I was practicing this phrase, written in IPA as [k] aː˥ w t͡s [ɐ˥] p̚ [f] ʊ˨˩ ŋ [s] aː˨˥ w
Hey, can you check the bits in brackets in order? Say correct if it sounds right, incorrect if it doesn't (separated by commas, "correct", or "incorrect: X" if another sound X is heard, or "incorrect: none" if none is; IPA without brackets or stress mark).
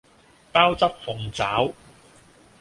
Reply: incorrect: p, correct, correct, incorrect: t͡s